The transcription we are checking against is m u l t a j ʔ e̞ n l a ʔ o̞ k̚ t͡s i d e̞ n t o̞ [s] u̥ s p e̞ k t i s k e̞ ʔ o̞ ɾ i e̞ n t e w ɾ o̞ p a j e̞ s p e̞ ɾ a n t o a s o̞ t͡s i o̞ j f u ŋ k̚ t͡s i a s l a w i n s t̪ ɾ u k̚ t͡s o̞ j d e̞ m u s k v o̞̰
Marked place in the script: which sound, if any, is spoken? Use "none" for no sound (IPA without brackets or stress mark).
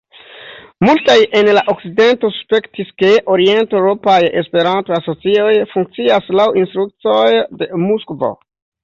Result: s